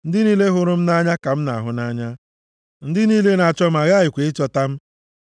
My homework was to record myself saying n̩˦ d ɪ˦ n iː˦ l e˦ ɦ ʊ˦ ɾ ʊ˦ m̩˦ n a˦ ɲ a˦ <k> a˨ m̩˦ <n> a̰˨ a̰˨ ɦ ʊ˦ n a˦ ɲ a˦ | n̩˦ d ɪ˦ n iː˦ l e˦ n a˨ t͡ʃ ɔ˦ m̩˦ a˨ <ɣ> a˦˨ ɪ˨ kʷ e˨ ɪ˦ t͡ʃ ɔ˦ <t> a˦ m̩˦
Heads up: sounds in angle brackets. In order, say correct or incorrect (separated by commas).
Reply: correct, correct, correct, correct